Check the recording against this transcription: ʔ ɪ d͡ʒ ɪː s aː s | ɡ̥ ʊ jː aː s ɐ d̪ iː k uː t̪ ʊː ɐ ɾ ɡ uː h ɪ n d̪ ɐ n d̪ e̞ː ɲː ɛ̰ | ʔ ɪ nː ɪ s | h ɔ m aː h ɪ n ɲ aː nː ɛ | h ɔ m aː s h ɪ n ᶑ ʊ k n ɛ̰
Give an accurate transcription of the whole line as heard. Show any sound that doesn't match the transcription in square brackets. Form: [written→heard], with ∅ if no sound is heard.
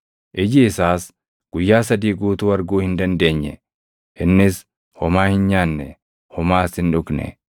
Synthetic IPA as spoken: ʔ ɪ d͡ʒ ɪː s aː s | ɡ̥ ʊ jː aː s ɐ d̪ iː [k→ɡ] uː t̪ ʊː ɐ ɾ ɡ uː h ɪ n d̪ ɐ n d̪ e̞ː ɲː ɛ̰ | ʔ ɪ nː ɪ s | h ɔ m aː h ɪ n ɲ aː nː ɛ | h ɔ m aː s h ɪ n ᶑ ʊ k n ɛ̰